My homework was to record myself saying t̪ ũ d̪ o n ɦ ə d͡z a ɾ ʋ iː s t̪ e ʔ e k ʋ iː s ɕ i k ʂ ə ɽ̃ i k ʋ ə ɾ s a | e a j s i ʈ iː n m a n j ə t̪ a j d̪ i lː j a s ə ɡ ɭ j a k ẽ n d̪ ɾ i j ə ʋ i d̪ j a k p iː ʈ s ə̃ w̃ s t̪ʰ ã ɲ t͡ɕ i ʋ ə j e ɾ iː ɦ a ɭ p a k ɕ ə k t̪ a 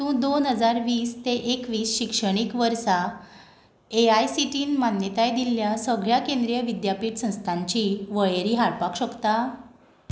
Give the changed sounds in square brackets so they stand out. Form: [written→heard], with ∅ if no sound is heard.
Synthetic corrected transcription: t̪ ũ d̪ o n ɦ ə d͡z a ɾ ʋ iː s t̪ e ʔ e k ʋ iː s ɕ i k ʂ ə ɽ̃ i k ʋ ə ɾ s a | e a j s i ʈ iː n m a n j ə t̪ a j d̪ i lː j a s ə ɡ ɭ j a k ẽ n d̪ ɾ i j ə ʋ i d̪ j a [k→∅] p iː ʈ s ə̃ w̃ s t̪ʰ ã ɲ t͡ɕ i ʋ ə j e ɾ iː ɦ a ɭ p a k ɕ ə k t̪ a